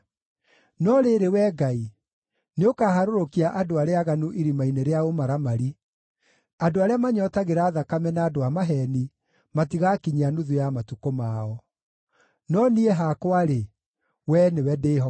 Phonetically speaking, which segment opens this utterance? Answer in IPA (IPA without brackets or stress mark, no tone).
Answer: n